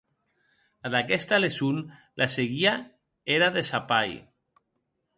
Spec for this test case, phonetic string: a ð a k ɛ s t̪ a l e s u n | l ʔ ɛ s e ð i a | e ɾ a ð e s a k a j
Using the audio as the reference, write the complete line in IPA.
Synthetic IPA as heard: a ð a k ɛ s t̪ a l e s u n | l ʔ a s e ɣ i a | e ɾ a ð e s a p a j